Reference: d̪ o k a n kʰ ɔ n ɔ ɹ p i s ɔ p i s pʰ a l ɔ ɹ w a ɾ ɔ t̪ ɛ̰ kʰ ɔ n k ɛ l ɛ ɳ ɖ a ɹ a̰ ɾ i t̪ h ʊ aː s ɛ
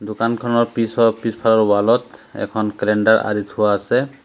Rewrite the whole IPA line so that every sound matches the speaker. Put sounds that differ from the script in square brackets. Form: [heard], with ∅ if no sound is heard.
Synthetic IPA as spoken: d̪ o k a n kʰ ɔ n ɔ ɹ p i s ɔ p i s pʰ a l ɔ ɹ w a [l] ɔ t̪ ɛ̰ kʰ ɔ n k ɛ l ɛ ɳ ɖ a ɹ a̰ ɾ i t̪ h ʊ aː s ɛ

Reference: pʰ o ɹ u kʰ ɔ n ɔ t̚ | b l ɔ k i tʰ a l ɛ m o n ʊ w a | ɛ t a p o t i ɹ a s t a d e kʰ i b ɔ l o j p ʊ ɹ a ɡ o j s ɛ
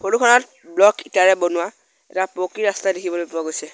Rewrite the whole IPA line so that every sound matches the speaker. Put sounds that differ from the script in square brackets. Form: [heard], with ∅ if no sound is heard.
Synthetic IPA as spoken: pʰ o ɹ u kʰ ɔ n ɔ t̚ | b l ɔ k i [t] a [ɹ] ɛ [b] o n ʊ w a | ɛ t a p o [k] i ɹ a s t a d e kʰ i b ɔ l o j p ʊ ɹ a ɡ o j s ɛ

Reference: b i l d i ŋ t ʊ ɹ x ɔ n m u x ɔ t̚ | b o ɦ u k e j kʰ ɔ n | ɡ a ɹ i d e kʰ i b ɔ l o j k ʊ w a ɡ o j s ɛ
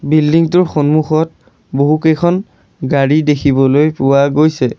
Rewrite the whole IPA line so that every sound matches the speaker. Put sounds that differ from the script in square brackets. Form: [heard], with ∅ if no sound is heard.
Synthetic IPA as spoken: b i l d i ŋ t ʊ ɹ x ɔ n m u x ɔ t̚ | b o ɦ u k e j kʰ ɔ n | ɡ a ɹ i d e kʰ i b ɔ l o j [p] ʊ w a ɡ o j s ɛ

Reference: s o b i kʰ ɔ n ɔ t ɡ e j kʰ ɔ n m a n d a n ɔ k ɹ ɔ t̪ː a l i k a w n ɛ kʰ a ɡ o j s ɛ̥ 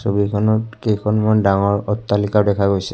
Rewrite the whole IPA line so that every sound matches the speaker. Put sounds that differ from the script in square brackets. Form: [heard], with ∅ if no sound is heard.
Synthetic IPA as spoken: s o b i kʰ ɔ n ɔ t [k] e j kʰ ɔ n m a n d a [ŋ] ɔ [∅] ɹ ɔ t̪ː a l i k a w [d] ɛ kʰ a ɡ o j s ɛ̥

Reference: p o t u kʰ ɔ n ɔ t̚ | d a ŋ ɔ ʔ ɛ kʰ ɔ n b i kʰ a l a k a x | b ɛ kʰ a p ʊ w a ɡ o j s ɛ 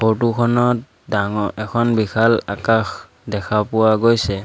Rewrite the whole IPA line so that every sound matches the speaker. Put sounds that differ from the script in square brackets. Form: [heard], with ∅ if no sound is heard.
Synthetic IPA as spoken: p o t u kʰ ɔ n ɔ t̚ | d a ŋ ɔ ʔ ɛ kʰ ɔ n b i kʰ a l a k a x | [d] ɛ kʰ a p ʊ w a ɡ o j s ɛ

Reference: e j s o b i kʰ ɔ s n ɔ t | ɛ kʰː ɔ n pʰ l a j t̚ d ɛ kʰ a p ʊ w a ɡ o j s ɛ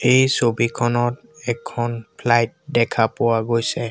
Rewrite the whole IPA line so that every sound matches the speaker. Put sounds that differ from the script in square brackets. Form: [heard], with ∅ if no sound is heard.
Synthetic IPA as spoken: e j s o b i kʰ ɔ [∅] n ɔ t | ɛ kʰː ɔ n pʰ l a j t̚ d ɛ kʰ a p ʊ w a ɡ o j s ɛ

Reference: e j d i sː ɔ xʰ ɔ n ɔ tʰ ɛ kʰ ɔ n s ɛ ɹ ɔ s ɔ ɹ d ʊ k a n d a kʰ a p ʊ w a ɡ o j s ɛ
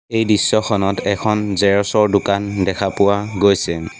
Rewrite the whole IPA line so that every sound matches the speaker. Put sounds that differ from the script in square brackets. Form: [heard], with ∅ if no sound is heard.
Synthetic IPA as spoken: e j d i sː ɔ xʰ ɔ n ɔ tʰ ɛ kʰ ɔ n [z] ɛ ɹ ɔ s ɔ ɹ d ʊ k a n d [ɛ] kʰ a p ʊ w a ɡ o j s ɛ

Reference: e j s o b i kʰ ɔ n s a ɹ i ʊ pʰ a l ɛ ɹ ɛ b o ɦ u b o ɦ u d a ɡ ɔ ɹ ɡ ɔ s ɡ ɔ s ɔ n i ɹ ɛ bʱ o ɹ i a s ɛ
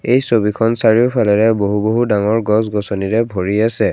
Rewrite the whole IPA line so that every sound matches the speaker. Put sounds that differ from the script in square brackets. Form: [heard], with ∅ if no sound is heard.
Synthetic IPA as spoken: e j s o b i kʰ ɔ n s a ɹ i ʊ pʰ a l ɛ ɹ ɛ b o ɦ u b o ɦ u d a [ŋ] ɔ ɹ ɡ ɔ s ɡ ɔ s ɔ n i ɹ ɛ bʱ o ɹ i a s ɛ

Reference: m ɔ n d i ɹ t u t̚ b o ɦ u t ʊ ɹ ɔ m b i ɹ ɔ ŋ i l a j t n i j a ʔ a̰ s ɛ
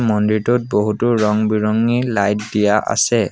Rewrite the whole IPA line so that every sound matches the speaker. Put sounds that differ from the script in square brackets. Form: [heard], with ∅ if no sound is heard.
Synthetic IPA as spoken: m ɔ n d i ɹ t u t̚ b o ɦ u t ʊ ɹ ɔ [ŋ] b i ɹ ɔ ŋ i l a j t [d] i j a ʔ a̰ s ɛ

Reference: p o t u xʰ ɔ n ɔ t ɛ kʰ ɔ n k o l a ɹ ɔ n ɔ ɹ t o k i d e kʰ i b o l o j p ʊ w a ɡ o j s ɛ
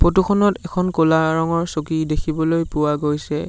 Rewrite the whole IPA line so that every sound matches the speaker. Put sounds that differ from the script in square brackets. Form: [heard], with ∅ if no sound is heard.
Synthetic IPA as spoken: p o t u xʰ ɔ n ɔ t ɛ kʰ ɔ n k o l a ɹ ɔ [ŋ] ɔ ɹ [s] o k i d e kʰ i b [ɔ] l o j p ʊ w a ɡ o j s ɛ

